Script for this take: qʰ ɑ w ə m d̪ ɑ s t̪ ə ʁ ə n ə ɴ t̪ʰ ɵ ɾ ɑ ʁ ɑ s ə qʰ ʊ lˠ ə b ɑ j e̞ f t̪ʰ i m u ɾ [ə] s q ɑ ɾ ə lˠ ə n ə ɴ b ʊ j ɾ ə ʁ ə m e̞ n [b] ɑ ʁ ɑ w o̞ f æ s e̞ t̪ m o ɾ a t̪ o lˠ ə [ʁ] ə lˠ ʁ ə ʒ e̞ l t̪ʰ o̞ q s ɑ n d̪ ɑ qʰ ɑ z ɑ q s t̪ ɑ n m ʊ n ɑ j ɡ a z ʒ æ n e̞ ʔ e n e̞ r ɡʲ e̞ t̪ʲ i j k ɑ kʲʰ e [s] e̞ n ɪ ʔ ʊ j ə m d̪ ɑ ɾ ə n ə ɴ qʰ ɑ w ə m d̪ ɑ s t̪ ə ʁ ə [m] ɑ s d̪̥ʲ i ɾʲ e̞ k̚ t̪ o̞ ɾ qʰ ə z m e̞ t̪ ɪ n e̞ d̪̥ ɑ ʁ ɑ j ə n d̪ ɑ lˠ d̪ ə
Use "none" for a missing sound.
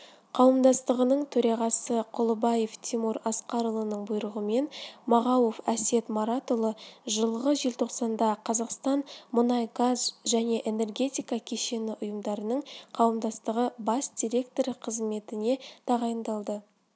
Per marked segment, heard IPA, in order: ɑ, m, ʒ, ʃ, b

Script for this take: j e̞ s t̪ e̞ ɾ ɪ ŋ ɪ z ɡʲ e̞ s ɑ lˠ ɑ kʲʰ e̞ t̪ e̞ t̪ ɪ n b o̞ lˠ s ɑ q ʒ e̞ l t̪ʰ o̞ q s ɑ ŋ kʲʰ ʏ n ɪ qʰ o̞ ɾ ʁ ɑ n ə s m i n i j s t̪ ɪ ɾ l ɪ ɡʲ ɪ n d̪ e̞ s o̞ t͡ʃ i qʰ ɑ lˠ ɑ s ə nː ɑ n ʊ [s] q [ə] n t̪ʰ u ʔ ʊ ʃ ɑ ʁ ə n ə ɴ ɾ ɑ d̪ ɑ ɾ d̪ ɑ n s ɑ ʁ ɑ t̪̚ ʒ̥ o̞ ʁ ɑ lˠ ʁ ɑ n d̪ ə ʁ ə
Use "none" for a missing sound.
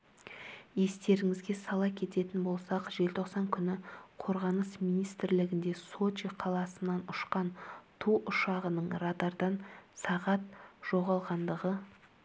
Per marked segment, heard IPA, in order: ʃ, ɑ

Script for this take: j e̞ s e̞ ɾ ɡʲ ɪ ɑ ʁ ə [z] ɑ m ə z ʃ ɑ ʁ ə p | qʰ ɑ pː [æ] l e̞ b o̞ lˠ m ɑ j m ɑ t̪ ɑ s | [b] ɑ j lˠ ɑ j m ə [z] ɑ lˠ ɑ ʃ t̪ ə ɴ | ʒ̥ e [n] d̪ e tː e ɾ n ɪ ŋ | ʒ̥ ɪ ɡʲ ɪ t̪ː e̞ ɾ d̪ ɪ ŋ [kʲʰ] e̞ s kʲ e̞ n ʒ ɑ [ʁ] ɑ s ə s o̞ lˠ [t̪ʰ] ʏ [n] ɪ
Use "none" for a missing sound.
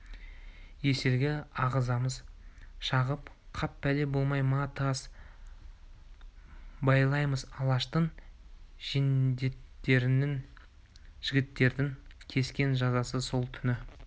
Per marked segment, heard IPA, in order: z, æ, b, z, n, kʲʰ, z, t̪ʰ, n

